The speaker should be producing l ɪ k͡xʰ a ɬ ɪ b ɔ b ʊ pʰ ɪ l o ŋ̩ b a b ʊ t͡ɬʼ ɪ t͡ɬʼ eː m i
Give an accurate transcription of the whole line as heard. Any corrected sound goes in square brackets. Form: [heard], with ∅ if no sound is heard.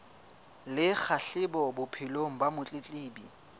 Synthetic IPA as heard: l ɪ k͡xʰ a ɬ ɪ b ɔ b ʊ pʰ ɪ l o ŋ̩ b a [m] ʊ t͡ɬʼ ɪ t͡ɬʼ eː [b] i

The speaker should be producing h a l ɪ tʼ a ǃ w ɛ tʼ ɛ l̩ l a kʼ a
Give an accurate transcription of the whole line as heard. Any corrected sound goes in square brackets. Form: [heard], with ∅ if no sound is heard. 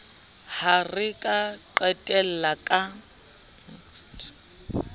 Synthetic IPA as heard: h a [r] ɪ [kʼ] a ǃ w ɛ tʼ ɛ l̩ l a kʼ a

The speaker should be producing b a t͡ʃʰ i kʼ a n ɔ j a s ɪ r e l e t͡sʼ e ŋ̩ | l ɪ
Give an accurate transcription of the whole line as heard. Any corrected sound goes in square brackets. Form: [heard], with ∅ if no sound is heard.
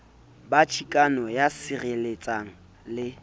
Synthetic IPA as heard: b a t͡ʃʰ i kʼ a n ɔ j a s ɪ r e l e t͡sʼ [a] ŋ̩ | l ɪ

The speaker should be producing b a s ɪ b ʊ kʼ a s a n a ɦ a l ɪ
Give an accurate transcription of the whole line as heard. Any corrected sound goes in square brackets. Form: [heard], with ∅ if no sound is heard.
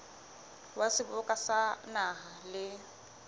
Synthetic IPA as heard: [w] a s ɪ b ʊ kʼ a s a n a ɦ a l ɪ

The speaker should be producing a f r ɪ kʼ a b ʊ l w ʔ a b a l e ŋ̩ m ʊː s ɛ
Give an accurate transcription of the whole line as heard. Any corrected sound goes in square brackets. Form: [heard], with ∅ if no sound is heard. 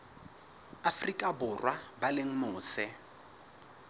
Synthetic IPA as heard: a f r [i] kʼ a b ʊ [r] w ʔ a b a l e ŋ̩ m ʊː s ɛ

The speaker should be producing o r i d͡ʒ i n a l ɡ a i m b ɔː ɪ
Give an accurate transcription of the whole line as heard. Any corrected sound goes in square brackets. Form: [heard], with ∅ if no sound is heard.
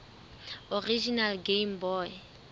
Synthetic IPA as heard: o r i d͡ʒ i n a l ɡ [e] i m b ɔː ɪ

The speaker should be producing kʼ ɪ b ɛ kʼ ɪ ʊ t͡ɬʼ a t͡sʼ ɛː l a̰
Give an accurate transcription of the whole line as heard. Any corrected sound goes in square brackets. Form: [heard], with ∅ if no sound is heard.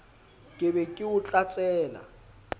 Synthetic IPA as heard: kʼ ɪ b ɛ kʼ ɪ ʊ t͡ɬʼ a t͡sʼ ɛː l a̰

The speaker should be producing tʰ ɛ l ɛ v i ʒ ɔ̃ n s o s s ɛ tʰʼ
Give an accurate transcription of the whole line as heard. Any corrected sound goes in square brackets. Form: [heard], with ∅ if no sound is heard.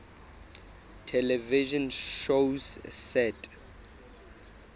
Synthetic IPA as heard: tʰ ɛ l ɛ v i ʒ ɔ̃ n [ʃ] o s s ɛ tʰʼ

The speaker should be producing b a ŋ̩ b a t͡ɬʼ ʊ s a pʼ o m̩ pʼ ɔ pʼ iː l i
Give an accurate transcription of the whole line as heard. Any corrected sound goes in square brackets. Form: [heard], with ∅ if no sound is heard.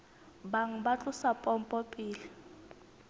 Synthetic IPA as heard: b a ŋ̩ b a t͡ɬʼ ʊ s a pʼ [ɔ] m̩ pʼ ɔ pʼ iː l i

